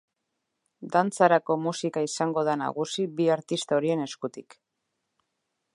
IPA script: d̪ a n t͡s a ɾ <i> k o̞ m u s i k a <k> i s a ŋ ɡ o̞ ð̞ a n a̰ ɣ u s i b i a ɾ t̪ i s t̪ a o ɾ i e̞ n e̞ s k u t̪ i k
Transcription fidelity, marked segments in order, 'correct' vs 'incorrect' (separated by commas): incorrect, incorrect